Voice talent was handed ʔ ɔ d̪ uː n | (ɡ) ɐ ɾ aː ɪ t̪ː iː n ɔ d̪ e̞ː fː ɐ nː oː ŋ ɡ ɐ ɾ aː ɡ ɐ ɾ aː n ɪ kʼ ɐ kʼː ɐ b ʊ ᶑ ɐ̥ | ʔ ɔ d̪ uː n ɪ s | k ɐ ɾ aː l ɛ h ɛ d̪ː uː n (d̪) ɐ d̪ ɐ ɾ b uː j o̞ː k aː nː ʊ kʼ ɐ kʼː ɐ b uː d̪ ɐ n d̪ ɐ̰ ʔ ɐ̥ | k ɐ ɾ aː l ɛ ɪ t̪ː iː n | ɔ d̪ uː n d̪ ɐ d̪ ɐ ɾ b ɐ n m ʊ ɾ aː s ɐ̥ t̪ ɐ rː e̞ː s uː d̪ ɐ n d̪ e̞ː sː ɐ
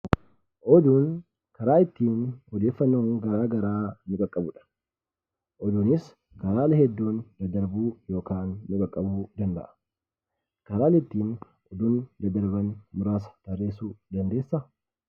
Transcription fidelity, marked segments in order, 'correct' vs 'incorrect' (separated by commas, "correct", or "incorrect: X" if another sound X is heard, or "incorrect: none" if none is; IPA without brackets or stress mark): incorrect: k, correct